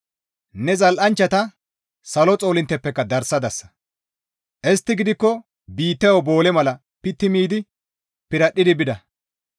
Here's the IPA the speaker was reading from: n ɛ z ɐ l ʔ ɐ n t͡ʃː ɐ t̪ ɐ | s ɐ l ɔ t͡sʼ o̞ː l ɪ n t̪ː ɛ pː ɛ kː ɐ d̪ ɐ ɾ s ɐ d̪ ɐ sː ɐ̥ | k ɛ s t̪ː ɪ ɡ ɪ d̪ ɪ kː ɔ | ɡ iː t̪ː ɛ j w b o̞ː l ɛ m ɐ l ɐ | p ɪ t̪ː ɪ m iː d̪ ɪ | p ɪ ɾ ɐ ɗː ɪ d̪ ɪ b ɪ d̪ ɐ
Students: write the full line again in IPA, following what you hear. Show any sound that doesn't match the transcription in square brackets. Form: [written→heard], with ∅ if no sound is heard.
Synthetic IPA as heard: n ɛ z ɐ l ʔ ɐ n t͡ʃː ɐ t̪ ɐ | s ɐ l ɔ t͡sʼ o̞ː l ɪ n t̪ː ɛ pː ɛ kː ɐ d̪ ɐ ɾ s ɐ d̪ ɐ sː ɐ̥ | [k→ʔ] ɛ s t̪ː ɪ ɡ ɪ d̪ ɪ kː ɔ | [ɡ→b] iː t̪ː ɛ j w b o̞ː l ɛ m ɐ l ɐ | p ɪ t̪ː ɪ m iː d̪ ɪ | p ɪ ɾ ɐ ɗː ɪ d̪ ɪ b ɪ d̪ ɐ